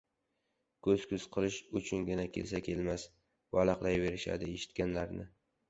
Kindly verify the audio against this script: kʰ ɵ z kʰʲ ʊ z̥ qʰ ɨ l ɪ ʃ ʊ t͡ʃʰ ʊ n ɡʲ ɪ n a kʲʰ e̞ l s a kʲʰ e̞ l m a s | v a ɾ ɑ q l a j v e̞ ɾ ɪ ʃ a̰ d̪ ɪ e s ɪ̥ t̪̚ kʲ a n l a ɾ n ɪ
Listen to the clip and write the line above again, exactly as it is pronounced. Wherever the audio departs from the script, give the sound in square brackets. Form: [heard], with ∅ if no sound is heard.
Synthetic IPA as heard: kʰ ɵ z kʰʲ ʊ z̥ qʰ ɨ l ɪ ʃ ʊ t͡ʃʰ ʊ n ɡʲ ɪ n a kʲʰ e̞ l s a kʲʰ e̞ l m a s | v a [l] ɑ q l a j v e̞ ɾ ɪ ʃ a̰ d̪ ɪ e [ʃ] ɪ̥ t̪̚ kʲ a n l a ɾ n ɪ